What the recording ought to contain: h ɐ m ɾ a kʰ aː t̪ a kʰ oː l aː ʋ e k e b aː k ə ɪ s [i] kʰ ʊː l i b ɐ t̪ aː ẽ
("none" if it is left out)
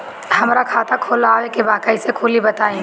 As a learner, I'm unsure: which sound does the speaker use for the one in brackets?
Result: e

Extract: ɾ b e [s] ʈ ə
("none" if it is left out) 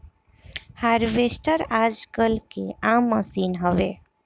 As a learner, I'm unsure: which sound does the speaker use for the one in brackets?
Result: s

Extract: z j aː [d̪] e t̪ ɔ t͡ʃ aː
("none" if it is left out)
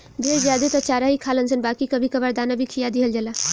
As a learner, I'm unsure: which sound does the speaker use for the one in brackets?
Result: d̪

